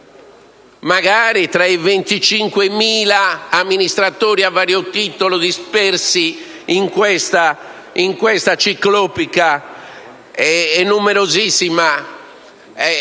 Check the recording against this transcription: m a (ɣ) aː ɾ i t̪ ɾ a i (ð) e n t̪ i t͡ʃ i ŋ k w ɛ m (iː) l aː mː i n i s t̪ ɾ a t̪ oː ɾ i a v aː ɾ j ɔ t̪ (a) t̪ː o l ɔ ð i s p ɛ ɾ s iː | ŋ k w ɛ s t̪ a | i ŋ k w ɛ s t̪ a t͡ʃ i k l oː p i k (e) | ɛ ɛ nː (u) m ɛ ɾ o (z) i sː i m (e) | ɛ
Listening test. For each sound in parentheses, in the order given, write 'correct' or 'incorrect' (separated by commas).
correct, incorrect, correct, incorrect, incorrect, correct, correct, incorrect